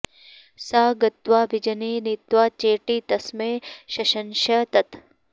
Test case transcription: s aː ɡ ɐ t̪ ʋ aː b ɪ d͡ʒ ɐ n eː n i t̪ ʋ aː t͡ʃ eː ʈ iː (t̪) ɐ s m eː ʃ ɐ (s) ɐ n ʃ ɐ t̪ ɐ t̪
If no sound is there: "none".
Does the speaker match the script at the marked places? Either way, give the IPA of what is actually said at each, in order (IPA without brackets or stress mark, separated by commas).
t̪, ʃ